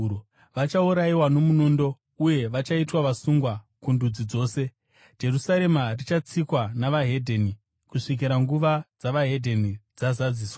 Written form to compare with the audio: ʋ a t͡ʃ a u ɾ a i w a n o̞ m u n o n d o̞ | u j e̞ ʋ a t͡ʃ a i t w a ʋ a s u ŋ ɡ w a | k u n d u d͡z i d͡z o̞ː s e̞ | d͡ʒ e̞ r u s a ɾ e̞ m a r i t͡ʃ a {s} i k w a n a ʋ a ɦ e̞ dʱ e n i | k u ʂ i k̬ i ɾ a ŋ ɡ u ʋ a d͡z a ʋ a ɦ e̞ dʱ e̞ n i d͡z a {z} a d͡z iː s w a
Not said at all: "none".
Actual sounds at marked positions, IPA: t͡s, z

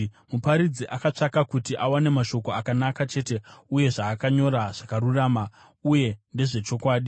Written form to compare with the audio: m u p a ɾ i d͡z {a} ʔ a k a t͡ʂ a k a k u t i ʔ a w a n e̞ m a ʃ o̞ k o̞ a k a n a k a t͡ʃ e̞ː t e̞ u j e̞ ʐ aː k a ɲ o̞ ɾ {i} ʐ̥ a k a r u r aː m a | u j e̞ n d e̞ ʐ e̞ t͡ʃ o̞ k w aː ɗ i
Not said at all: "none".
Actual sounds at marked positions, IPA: i, a

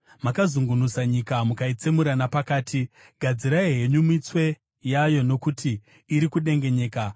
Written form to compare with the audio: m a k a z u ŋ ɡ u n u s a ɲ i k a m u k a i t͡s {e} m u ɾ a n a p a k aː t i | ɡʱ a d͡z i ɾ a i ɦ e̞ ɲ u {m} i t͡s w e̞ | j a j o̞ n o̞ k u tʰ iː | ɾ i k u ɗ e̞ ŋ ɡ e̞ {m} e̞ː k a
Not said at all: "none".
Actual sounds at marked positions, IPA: e, m, ɲ

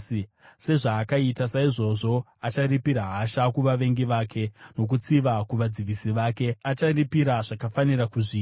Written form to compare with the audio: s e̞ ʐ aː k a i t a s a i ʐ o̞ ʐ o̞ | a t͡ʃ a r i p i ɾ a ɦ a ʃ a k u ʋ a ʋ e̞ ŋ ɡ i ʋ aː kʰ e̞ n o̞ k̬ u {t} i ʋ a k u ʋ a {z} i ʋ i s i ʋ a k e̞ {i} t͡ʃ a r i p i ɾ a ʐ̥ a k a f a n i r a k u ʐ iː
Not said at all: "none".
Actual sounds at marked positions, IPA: t͡s, d͡z, a

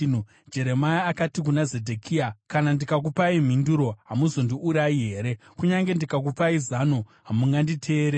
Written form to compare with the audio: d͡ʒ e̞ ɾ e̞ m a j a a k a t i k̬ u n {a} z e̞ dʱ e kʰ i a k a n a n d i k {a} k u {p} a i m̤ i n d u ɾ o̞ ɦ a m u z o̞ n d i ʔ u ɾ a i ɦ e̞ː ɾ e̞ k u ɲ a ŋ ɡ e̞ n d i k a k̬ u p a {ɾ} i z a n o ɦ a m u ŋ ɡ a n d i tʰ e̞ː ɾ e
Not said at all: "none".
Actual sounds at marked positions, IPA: a, a, p, none

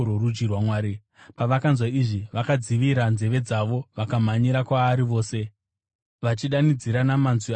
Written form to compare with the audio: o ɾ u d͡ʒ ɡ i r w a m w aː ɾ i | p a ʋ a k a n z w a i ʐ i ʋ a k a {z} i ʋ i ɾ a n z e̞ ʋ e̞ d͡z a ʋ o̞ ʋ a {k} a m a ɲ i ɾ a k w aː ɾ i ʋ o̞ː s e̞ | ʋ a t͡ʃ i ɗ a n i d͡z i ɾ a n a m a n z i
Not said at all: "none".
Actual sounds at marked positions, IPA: d͡z, k

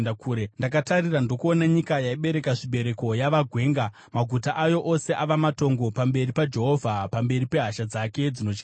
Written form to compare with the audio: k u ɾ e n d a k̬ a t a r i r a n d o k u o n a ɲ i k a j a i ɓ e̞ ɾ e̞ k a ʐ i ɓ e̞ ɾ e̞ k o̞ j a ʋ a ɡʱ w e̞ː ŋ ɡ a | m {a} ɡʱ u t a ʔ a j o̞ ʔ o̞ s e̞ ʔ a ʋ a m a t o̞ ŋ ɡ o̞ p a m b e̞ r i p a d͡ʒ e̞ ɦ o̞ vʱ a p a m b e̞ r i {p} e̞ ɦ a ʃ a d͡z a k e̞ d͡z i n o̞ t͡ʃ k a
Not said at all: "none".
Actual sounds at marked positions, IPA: a, p

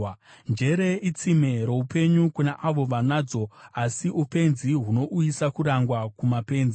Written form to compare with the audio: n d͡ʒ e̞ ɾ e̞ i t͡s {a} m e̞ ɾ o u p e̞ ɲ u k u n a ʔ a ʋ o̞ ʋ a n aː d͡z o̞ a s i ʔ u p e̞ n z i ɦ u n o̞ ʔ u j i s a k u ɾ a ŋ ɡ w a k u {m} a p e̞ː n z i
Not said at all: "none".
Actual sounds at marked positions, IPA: i, m

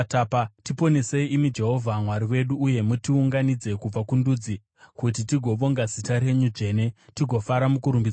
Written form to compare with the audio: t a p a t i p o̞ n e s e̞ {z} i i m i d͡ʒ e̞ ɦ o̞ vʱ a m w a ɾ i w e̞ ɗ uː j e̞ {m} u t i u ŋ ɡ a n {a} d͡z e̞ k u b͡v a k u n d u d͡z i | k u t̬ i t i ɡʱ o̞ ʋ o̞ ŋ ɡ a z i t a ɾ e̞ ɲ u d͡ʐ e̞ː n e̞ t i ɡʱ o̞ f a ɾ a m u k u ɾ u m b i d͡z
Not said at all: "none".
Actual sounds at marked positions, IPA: none, m, i

